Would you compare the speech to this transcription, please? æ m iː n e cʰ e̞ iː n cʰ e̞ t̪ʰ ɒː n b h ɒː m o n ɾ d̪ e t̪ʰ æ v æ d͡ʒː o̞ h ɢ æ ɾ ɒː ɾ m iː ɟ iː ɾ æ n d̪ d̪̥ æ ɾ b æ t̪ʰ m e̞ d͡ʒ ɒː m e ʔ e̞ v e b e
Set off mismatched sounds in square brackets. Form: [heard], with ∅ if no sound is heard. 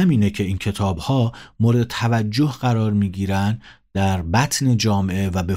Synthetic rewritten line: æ m iː n e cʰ e̞ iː n cʰ e̞ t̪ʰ ɒː [∅] b h ɒː m o [∅] ɾ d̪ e t̪ʰ æ v æ d͡ʒː o̞ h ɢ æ ɾ ɒː ɾ m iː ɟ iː ɾ æ n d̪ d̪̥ æ ɾ b æ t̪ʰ [n] e̞ d͡ʒ ɒː m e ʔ e̞ v [æ] b e